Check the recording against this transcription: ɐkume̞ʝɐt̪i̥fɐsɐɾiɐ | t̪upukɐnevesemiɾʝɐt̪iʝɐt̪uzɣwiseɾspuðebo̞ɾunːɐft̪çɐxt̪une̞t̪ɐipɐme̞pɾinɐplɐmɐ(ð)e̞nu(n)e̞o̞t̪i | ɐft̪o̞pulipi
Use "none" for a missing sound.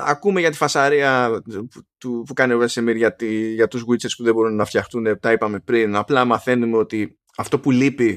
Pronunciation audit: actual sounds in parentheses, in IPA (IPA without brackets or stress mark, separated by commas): θ, m